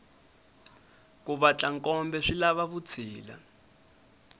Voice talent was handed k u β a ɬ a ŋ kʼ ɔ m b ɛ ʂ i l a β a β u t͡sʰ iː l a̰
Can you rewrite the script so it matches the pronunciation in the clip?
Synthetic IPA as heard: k u β a t͡ɬ a ŋ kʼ ɔ m b ɛ ʂ i l a β a β u t͡sʰ iː l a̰